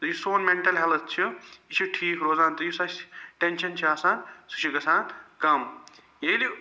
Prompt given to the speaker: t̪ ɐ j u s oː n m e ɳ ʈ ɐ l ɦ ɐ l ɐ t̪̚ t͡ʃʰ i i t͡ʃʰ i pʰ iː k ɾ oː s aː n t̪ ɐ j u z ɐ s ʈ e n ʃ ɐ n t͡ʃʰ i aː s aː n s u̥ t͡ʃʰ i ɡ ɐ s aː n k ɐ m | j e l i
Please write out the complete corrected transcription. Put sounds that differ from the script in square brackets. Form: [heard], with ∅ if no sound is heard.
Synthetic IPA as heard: t̪ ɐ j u s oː n m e ɳ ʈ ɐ l ɦ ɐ l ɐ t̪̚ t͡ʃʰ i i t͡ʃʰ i [ʈʰ] iː k ɾ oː [z] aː n t̪ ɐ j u [s] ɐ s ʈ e n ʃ ɐ n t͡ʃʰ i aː s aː n s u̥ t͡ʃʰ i ɡ ɐ s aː n k ɐ m | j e l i